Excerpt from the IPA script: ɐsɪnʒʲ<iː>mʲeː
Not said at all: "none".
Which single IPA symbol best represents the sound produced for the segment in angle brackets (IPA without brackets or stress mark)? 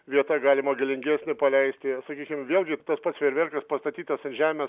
æː